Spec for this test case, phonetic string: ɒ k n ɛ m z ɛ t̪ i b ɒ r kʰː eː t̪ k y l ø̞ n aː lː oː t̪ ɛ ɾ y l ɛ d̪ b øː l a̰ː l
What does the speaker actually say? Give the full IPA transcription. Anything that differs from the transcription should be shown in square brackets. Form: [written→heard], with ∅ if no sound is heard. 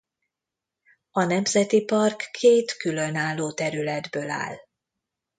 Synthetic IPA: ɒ [k→∅] n ɛ m z ɛ t̪ i [b→p] ɒ r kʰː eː t̪ k y l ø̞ n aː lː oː t̪ ɛ ɾ y l ɛ d̪ b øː l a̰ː l